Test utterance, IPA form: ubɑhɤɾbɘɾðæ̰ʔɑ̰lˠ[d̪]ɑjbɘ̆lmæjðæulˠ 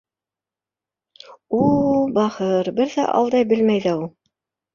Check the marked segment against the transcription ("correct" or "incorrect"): correct